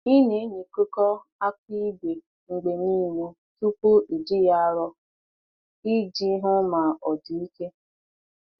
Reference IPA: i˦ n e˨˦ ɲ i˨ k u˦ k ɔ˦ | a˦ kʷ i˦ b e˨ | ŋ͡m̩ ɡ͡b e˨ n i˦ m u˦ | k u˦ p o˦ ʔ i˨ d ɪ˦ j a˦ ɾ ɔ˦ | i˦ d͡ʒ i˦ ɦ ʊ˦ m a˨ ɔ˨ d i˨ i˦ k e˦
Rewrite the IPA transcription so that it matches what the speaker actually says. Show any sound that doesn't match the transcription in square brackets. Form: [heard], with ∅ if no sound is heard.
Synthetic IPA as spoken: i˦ n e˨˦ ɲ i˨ k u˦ k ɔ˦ | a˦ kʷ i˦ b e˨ | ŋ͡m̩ ɡ͡b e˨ n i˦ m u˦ | [t] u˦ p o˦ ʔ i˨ d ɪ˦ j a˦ ɾ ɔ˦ | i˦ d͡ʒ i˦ ɦ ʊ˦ m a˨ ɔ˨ d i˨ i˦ k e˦